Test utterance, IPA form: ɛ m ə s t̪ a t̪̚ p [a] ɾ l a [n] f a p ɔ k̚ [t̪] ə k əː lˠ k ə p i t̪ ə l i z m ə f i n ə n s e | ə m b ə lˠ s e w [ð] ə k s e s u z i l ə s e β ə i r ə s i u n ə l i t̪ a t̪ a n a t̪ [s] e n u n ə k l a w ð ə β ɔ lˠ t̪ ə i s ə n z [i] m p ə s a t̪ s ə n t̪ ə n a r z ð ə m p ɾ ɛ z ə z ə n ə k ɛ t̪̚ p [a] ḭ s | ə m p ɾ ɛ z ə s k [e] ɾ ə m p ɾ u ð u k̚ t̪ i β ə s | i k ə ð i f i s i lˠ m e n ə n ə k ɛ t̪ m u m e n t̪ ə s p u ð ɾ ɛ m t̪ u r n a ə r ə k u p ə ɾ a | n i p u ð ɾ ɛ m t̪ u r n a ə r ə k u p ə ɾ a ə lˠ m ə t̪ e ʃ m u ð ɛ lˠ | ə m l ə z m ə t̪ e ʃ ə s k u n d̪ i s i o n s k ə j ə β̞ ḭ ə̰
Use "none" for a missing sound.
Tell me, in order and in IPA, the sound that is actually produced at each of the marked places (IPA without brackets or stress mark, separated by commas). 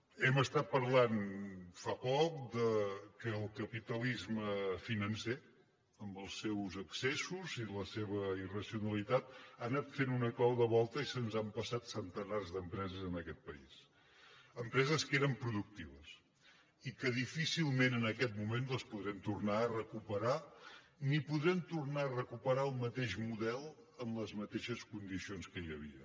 ə, n, d̪, z, f, a, ə, e